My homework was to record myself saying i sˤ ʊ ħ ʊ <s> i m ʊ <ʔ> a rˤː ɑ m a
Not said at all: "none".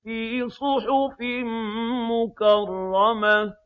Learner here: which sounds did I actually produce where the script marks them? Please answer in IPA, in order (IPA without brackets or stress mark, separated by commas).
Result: f, k